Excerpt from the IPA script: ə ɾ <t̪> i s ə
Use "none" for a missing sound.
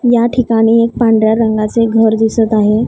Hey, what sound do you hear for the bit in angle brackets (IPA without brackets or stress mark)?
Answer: d̪